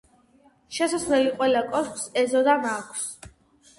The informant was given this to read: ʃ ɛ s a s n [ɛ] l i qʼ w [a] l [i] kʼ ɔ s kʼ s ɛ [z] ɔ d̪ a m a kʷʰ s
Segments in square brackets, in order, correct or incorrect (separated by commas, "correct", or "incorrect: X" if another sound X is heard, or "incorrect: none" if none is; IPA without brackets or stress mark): correct, incorrect: ɛ, incorrect: a, correct